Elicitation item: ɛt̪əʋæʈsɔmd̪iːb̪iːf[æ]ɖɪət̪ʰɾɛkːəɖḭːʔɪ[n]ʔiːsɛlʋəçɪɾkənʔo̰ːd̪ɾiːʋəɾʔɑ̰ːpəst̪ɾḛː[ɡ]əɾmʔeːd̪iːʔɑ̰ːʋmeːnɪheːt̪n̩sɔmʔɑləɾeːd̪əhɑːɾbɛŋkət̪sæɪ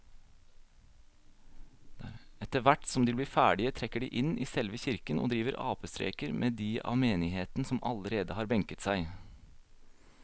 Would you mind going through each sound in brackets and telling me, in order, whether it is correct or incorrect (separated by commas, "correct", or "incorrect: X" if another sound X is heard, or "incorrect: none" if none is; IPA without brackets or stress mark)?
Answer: incorrect: æː, correct, incorrect: k